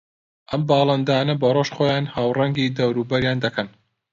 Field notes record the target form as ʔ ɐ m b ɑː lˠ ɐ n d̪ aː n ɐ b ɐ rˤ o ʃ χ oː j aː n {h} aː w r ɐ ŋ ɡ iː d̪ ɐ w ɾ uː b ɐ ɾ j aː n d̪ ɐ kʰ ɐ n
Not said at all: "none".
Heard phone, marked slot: h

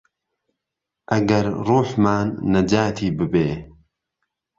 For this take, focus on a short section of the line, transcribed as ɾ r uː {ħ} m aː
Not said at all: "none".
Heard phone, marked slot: ħ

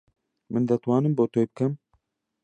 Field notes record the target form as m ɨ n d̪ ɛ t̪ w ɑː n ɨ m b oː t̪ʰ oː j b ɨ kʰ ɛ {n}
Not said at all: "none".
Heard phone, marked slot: m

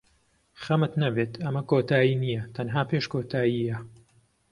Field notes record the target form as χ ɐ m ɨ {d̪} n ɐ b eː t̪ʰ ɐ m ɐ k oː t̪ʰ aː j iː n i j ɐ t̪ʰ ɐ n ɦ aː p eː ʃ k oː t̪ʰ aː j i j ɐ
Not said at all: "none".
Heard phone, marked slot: t̪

